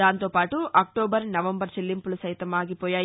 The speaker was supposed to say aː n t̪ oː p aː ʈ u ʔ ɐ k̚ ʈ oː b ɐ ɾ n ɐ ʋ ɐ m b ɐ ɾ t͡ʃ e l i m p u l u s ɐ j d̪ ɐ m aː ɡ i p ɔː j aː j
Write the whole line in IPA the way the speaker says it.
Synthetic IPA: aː n t̪ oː p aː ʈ u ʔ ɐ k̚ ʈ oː b ɐ ɾ n ɐ ʋ ɐ m b ɐ ɾ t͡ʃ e lː i m p u l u s ɐ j t̪ ɐ m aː ɡ i p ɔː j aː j